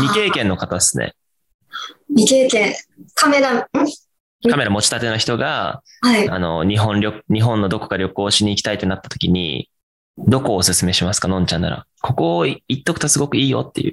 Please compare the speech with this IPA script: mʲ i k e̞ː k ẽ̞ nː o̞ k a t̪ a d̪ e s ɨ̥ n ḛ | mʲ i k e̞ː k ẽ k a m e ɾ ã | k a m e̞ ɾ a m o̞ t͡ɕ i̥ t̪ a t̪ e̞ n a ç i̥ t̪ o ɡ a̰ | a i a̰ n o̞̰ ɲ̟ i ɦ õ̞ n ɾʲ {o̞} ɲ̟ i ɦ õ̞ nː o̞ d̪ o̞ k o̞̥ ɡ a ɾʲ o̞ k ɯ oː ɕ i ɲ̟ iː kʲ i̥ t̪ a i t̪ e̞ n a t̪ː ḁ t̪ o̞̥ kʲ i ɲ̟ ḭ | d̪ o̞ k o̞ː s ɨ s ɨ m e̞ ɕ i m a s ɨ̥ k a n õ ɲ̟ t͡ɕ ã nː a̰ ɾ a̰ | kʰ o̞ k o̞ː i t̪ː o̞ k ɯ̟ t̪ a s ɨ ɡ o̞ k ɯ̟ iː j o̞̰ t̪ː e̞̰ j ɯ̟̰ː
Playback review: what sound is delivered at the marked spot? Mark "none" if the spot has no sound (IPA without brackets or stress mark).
o̞